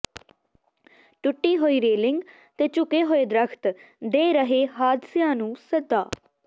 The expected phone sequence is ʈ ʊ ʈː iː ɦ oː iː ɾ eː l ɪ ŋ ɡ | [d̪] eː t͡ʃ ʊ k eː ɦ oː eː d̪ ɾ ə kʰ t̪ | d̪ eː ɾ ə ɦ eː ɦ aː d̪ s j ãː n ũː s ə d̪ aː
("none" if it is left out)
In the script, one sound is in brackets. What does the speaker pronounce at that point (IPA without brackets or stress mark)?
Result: t̪